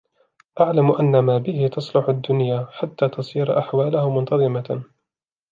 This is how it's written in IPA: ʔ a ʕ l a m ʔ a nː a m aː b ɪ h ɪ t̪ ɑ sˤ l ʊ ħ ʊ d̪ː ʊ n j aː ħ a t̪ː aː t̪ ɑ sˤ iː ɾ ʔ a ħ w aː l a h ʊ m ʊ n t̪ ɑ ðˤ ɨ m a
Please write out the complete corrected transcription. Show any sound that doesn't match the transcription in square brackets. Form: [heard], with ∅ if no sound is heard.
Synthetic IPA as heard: ʔ a ʕ l a m ʔ a nː a m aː b ɪ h ɪ t̪ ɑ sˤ l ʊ ħ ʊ d̪ː ʊ n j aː ħ a t̪ː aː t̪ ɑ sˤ iː ɾ ʔ a ħ w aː l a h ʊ m ʊ n t̪ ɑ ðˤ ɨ m a